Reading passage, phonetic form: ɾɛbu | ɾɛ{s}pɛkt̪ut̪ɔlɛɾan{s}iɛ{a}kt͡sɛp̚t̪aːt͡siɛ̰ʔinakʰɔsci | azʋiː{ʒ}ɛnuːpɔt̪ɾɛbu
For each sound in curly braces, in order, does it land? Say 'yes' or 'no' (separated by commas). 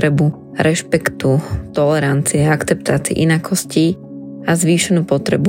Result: no, no, yes, no